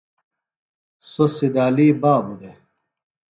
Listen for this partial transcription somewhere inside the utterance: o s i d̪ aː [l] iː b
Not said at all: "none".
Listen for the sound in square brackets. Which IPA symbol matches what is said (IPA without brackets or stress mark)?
l